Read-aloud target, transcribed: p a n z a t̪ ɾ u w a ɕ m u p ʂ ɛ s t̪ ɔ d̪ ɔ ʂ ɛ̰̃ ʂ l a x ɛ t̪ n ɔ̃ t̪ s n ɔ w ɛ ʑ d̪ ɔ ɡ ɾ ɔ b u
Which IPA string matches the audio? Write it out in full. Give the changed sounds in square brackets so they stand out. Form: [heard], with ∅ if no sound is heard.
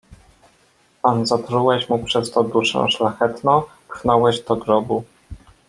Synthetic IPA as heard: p a n z a t̪ ɾ u w [ɛ] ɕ m u p ʂ ɛ s t̪ ɔ d̪ [u] ʂ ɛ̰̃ ʂ l a x ɛ t̪ n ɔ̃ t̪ [x] n ɔ w ɛ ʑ d̪ ɔ ɡ ɾ ɔ b u